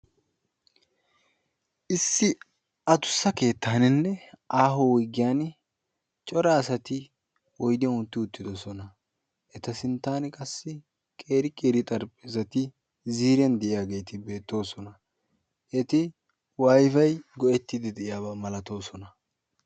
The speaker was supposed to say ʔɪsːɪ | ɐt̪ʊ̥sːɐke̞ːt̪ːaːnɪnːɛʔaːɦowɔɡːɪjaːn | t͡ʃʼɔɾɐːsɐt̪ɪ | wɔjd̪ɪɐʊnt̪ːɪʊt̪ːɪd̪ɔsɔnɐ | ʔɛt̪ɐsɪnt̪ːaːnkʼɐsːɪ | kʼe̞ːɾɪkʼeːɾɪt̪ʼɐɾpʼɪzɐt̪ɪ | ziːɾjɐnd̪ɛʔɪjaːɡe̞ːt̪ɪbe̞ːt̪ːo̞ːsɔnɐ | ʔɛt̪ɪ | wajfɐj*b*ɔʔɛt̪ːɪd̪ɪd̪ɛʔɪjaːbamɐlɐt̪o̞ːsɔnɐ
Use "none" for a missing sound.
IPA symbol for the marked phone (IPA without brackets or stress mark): ɡ